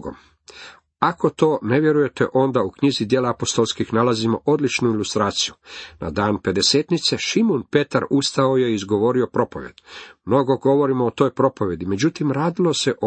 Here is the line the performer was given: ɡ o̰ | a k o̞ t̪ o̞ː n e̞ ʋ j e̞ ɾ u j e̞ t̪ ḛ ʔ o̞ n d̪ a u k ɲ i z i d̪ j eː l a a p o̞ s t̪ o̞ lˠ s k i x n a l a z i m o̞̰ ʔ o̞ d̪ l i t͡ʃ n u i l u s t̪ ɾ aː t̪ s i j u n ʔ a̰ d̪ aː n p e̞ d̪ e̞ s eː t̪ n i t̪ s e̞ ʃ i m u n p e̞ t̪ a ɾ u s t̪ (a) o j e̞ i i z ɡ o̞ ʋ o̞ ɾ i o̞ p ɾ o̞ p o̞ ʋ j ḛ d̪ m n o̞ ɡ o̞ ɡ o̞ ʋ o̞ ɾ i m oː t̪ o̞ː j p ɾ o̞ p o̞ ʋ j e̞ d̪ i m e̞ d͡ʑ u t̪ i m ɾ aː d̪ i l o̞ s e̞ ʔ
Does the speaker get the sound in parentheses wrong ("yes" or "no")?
no